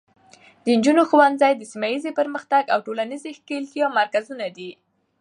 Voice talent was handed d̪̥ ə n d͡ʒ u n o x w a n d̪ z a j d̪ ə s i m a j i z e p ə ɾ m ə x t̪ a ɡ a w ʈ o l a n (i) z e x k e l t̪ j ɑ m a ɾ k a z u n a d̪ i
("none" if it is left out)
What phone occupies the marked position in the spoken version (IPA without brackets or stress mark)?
i